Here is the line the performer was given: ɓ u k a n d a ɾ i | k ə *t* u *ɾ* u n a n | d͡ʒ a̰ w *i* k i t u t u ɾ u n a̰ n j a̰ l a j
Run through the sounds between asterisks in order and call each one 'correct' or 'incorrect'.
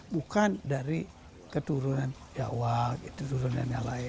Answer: correct, correct, incorrect: a

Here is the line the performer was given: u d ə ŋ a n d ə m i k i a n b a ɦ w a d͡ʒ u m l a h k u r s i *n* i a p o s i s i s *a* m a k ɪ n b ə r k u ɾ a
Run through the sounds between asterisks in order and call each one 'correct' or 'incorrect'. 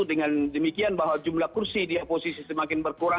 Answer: incorrect: d, incorrect: ə

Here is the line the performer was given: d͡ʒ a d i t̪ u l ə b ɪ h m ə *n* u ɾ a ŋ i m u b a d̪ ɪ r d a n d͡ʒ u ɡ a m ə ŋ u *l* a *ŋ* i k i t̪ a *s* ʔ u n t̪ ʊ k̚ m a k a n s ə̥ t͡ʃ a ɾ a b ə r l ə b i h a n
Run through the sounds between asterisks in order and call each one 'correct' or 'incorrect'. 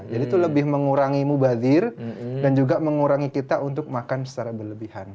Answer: incorrect: ŋ, incorrect: ɾ, correct, incorrect: none

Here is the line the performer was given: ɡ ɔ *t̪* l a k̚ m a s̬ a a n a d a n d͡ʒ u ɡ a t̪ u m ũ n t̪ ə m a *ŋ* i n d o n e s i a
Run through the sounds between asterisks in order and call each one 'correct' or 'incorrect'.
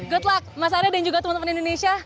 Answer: correct, incorrect: n

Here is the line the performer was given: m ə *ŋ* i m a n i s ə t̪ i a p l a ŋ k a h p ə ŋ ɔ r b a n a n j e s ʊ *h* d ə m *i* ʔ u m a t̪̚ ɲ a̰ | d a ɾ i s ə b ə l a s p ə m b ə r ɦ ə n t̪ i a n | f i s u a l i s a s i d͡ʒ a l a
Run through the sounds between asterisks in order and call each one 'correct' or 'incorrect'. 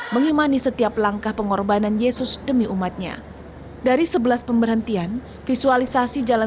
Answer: correct, incorrect: s, correct

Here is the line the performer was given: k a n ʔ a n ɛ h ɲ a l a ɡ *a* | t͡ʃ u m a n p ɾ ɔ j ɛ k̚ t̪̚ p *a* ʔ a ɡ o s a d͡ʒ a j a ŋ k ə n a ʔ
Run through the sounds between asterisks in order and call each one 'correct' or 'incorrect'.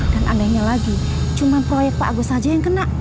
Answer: incorrect: i, correct

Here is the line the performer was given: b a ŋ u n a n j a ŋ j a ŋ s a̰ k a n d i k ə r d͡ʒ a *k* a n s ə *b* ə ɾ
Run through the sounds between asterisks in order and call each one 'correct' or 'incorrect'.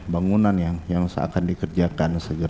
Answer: correct, incorrect: ɡ

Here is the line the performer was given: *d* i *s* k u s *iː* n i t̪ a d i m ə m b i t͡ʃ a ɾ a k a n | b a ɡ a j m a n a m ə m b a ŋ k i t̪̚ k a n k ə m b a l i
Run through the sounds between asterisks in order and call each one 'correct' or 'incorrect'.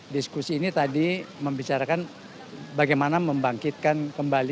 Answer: correct, correct, correct

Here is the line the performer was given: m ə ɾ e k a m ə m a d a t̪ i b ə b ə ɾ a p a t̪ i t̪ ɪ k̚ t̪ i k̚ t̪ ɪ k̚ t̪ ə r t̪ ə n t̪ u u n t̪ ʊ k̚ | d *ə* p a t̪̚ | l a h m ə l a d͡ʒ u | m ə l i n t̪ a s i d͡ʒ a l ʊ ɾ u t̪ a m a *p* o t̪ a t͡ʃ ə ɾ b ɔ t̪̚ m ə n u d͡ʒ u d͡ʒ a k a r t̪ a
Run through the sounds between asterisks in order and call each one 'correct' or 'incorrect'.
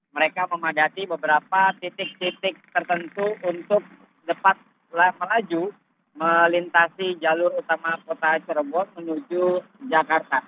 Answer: correct, incorrect: k

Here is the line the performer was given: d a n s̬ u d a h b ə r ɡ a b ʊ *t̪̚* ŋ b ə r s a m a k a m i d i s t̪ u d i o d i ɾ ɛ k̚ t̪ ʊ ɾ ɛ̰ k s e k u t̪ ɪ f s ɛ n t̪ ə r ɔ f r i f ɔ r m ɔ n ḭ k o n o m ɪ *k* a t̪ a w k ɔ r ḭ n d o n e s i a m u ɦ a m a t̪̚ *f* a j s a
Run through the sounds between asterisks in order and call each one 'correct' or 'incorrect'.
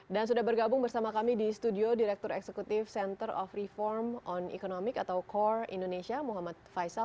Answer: incorrect: none, correct, correct

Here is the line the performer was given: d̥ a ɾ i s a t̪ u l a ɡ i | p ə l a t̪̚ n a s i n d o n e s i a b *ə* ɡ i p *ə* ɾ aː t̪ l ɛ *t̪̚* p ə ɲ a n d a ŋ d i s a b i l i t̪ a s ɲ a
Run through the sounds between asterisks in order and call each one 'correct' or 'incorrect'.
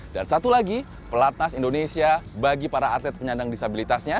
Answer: incorrect: a, incorrect: a, correct

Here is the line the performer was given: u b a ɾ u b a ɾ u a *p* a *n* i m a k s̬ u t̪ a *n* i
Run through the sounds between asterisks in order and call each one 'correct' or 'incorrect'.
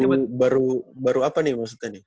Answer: correct, correct, correct

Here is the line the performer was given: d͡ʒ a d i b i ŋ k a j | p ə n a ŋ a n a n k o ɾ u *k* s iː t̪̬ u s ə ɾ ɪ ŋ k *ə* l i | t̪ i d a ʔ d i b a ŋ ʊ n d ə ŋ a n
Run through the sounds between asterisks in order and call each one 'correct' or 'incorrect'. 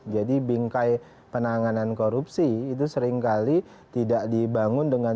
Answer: incorrect: p, incorrect: a

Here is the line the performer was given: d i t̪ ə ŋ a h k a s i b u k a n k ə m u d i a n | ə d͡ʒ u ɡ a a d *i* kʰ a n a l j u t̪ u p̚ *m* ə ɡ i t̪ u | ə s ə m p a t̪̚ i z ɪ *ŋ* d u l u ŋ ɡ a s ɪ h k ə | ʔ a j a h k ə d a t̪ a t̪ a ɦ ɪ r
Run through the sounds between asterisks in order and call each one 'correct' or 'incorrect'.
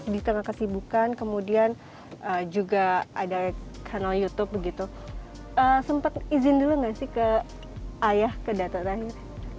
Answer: incorrect: a, incorrect: b, incorrect: n

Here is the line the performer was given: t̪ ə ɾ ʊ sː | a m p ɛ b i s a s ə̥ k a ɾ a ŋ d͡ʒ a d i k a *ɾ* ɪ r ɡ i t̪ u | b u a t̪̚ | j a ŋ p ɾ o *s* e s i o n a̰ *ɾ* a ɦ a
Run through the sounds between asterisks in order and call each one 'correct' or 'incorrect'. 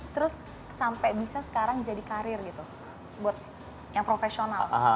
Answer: correct, incorrect: f, incorrect: l

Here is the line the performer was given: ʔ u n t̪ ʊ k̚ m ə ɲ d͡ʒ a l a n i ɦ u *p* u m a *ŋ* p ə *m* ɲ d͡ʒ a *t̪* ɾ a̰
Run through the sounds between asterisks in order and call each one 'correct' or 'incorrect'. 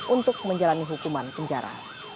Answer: incorrect: k, incorrect: n, incorrect: none, incorrect: none

